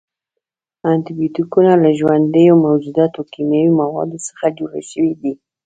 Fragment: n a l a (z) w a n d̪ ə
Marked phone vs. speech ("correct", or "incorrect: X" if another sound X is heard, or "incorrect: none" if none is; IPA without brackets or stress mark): incorrect: ʒ